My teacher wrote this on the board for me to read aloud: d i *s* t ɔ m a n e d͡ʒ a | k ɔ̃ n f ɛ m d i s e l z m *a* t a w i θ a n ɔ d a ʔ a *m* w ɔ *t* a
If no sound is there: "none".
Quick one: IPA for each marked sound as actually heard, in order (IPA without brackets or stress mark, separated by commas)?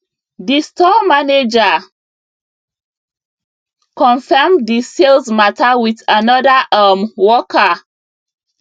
s, a, m, k